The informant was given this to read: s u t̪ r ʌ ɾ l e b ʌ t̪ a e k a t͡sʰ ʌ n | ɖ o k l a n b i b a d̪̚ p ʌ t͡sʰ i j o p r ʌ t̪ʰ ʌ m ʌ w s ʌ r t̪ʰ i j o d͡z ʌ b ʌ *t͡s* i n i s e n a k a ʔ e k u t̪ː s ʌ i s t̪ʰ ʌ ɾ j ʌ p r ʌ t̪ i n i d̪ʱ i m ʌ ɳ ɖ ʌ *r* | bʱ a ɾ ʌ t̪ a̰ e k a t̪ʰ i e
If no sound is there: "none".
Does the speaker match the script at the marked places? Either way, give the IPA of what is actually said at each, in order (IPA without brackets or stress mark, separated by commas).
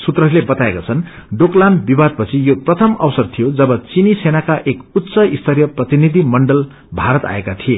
t͡s, l